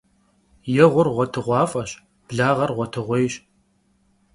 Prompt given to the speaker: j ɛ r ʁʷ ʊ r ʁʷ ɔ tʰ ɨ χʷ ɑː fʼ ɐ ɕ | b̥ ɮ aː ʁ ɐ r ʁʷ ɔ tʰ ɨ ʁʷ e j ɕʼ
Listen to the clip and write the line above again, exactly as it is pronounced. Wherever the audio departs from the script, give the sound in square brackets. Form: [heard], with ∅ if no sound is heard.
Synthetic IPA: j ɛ [∅] ʁʷ ʊ r ʁʷ ɔ tʰ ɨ [ʁʷ] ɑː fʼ ɐ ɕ | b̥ ɮ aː ʁ ɐ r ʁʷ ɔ tʰ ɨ ʁʷ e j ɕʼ